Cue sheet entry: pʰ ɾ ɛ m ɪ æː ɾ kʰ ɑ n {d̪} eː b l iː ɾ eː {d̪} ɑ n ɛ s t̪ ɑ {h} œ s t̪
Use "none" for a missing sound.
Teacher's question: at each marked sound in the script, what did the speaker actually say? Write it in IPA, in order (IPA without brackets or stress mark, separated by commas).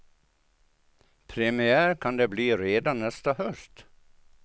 d̪, d̪, h